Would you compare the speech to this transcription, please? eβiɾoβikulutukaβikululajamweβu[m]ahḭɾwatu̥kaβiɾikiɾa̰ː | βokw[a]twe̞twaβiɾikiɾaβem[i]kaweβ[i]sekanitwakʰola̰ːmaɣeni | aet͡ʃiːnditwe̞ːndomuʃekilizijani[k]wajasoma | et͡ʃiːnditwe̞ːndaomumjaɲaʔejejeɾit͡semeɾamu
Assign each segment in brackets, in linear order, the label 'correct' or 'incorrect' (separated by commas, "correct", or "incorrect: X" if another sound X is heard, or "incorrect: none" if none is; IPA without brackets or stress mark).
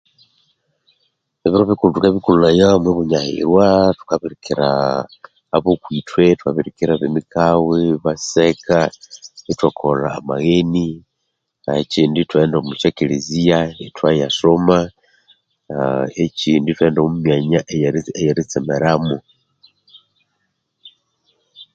incorrect: ɲ, incorrect: i, correct, incorrect: a, incorrect: t